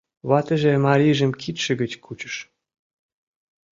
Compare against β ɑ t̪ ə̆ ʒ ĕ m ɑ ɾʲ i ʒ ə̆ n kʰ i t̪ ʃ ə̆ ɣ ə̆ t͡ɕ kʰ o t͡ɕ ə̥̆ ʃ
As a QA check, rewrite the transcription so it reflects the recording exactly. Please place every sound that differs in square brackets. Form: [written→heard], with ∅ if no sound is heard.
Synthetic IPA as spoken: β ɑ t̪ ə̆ ʒ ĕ m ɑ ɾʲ i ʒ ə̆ [n→m] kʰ i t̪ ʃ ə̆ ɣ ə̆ t͡ɕ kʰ [o→u] t͡ɕ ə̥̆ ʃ